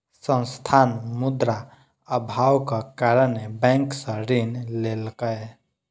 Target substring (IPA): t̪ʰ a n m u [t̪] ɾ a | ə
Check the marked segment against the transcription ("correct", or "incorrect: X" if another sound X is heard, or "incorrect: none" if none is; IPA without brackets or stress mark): incorrect: d̪